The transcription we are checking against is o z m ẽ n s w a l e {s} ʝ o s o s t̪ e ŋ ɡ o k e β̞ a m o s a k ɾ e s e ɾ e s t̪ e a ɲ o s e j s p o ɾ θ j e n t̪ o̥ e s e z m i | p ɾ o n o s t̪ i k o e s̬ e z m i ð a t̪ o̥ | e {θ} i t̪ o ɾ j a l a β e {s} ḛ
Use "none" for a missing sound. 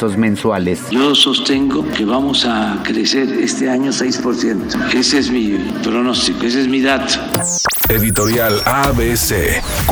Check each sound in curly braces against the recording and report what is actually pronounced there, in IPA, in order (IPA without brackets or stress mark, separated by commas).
s, ð, s